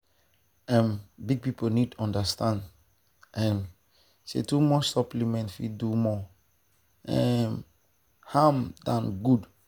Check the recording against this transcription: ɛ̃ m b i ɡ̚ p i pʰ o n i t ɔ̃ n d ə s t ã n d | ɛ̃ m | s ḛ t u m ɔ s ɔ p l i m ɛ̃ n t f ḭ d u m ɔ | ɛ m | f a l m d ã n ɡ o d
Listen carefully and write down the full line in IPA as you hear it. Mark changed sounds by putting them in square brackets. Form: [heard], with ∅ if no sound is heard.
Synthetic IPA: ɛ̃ m b i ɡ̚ p i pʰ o n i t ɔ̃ n d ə s t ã n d | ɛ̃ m | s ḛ t u m ɔ s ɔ p l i m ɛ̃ n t f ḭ d u m ɔ | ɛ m | [h] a [∅] m d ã n ɡ [u] d